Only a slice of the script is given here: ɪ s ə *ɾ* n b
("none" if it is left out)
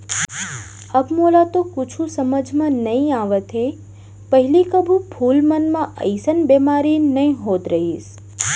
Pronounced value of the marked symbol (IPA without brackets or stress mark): none